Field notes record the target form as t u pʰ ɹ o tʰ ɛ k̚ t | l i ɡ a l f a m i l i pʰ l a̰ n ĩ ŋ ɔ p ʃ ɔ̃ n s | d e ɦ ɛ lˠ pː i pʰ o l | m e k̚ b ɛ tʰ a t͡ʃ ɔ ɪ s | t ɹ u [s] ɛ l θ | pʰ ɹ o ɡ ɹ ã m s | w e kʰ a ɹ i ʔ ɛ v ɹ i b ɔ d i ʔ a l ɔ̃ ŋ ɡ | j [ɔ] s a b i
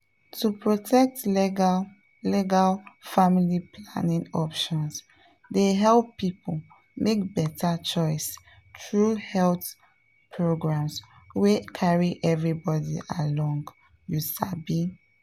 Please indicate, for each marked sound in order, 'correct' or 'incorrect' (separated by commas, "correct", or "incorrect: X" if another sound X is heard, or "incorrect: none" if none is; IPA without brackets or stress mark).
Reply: incorrect: h, incorrect: u